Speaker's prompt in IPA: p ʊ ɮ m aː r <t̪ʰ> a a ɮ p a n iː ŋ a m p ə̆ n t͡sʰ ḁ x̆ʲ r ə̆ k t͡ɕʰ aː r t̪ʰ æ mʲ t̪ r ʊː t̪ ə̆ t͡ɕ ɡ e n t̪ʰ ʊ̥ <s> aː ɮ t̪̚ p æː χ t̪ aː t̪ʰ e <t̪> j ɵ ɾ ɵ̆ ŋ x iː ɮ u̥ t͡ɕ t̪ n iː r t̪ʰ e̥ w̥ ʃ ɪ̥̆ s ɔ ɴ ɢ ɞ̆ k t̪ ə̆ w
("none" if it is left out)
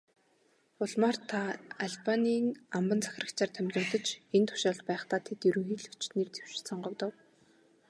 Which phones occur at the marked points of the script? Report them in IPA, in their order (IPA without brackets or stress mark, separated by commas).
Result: t̪ʰ, ʃ, t̪